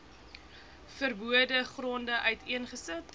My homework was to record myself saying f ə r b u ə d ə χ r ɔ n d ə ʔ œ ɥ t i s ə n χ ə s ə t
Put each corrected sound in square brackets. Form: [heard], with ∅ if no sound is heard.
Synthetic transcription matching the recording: f ə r b u ə d ə χ r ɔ n d ə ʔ œ ɥ t i [∅] ə n χ ə s ə t